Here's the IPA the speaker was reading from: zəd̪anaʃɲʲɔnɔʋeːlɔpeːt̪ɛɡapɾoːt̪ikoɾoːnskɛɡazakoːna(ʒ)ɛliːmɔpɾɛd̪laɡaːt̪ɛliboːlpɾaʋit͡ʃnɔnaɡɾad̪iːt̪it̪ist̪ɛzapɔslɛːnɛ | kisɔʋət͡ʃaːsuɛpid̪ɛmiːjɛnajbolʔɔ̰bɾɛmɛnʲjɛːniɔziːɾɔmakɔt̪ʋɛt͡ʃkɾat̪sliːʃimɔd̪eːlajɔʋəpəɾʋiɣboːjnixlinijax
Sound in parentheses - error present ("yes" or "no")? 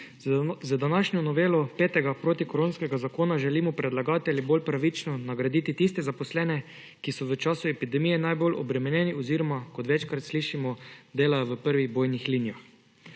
no